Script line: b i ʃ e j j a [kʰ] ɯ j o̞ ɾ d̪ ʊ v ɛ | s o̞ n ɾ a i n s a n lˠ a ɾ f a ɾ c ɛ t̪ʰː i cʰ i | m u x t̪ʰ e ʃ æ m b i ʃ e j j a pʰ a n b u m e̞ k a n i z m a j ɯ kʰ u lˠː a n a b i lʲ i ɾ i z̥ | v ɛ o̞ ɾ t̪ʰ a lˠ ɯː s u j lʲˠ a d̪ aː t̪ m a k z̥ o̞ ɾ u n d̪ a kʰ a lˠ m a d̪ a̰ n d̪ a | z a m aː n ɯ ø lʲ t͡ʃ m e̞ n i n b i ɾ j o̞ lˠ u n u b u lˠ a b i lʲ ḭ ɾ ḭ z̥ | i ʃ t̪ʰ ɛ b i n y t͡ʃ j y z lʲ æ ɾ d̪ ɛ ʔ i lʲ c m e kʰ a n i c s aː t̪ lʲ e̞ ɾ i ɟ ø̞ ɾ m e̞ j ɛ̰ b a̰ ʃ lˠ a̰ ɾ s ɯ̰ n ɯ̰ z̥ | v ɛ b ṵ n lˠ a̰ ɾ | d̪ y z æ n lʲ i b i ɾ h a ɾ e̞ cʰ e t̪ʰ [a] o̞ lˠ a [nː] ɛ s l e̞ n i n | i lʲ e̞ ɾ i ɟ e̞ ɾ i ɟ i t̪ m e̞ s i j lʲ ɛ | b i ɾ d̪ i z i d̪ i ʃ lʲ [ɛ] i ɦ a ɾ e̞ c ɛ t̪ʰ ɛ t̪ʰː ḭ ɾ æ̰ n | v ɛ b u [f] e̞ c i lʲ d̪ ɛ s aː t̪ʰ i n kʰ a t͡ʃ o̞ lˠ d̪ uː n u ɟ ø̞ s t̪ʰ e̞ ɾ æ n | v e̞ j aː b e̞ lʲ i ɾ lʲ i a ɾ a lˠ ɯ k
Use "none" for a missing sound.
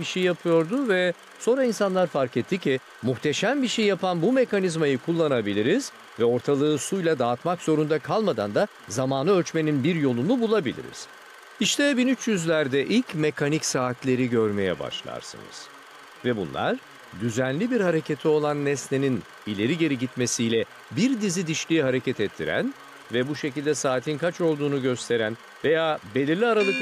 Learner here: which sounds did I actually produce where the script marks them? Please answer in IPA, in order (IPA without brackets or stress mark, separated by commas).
pʰ, i, nː, i, ʃ